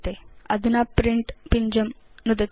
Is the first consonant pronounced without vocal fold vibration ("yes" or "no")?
yes